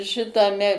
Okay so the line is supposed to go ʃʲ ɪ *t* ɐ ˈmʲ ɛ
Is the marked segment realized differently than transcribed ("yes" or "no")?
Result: no